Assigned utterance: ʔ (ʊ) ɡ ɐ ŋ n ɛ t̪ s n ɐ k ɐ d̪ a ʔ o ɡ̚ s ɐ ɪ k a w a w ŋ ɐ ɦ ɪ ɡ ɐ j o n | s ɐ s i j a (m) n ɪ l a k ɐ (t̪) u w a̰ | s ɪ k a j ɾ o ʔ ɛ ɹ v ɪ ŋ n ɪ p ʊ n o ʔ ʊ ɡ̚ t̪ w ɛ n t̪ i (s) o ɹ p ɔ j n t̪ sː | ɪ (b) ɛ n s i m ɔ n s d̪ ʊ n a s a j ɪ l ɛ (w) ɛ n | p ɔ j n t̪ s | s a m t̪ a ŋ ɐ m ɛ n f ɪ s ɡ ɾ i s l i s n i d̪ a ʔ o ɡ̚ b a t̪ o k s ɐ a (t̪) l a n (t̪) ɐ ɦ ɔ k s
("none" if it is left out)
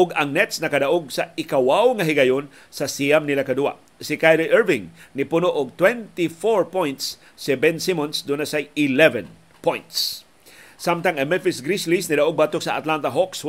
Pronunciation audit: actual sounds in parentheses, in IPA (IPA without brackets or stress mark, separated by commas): ʊ, m, d̪, f, b, v, t̪, t̪